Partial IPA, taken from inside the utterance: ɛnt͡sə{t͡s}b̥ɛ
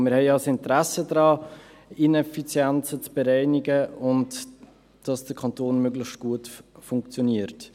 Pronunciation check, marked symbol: correct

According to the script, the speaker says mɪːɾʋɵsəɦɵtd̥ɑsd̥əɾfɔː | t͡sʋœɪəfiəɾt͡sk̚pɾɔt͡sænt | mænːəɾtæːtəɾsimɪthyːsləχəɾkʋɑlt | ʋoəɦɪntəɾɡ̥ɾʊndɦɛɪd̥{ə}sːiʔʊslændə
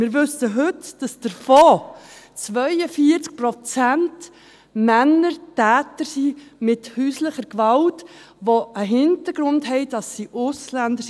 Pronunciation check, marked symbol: incorrect: ɑ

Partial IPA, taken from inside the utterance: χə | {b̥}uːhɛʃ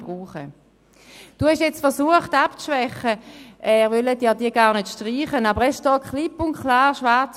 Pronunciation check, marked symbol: incorrect: d̥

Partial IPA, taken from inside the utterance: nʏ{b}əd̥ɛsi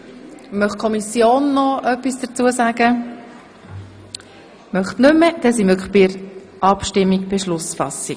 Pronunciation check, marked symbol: incorrect: m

